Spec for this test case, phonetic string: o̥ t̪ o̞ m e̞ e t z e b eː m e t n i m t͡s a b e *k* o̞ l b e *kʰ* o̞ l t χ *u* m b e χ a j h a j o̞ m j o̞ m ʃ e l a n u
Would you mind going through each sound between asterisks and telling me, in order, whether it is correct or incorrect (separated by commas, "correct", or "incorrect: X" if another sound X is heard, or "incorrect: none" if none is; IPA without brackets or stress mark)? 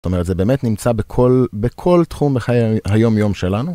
incorrect: kʰ, correct, correct